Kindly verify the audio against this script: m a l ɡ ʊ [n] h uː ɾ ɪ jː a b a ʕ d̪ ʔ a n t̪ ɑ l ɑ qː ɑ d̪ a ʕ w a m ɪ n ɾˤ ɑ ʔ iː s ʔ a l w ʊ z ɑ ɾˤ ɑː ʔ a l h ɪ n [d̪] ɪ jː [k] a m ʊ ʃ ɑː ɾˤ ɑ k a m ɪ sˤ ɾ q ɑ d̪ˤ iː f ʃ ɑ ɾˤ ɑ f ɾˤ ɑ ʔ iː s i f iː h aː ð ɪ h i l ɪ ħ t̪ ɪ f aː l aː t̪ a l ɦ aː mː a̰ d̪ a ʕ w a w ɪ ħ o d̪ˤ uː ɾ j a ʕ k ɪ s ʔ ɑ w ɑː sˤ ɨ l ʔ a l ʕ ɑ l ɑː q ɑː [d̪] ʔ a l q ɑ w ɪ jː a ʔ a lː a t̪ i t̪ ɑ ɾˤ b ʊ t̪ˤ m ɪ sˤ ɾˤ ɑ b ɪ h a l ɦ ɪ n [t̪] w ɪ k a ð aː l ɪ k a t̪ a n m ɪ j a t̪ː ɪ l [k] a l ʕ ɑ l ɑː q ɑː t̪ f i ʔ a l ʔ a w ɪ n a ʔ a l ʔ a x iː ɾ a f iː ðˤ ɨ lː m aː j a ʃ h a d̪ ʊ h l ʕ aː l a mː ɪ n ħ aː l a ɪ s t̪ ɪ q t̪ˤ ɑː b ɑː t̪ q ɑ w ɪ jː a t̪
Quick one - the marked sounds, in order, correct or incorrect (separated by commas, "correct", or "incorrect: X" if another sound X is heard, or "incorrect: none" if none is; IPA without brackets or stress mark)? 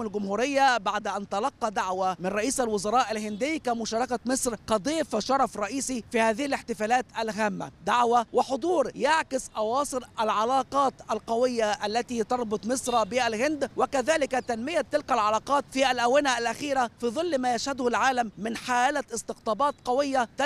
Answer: incorrect: m, correct, correct, incorrect: t̪, incorrect: d̪, correct